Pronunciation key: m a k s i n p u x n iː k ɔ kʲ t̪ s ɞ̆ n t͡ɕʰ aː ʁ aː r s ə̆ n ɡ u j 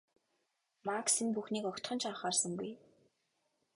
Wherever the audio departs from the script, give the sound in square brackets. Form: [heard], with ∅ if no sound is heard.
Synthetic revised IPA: m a k s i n p u x n iː k ɔ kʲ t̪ [χ] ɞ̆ n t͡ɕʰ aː [χ] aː r s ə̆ [ŋ] ɡ u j